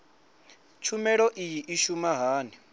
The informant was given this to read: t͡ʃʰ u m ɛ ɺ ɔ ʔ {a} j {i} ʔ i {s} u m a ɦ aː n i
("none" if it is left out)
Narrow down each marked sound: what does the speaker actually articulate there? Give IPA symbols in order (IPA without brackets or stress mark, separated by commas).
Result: i, i, ʃ